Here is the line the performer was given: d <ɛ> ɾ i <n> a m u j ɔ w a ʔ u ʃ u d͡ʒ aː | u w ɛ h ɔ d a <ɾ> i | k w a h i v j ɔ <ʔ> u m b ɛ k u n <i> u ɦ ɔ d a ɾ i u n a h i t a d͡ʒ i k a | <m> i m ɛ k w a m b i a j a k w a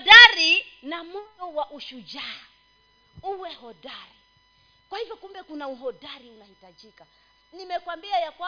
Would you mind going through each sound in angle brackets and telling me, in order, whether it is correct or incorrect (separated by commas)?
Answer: incorrect, correct, correct, incorrect, incorrect, incorrect